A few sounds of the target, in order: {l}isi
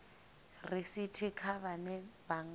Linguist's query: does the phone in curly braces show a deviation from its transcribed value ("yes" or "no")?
yes